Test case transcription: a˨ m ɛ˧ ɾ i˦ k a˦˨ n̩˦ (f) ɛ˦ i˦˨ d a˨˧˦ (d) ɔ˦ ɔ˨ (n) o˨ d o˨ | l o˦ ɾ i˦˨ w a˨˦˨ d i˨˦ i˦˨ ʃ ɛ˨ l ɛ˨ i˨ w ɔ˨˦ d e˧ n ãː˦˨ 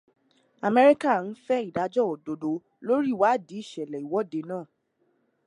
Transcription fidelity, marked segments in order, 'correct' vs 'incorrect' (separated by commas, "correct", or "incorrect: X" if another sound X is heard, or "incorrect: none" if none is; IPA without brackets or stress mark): correct, incorrect: d͡ʒ, incorrect: d